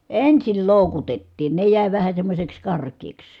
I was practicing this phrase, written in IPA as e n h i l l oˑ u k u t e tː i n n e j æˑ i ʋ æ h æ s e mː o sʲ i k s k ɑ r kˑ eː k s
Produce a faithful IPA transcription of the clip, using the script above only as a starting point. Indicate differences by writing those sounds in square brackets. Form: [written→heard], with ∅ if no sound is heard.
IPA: e n [h→s] i l l oˑ u k u t e tː [i→iː] n n e j æˑ i ʋ æ h æ s e mː o sʲ [i→e] k s k ɑ r kˑ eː k s